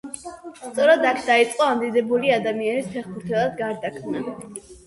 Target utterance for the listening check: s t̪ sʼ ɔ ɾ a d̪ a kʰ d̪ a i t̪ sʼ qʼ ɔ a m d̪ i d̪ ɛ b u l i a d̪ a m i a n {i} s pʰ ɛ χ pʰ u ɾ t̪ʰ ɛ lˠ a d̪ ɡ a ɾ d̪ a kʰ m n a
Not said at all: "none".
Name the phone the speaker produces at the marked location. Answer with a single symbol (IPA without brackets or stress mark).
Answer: i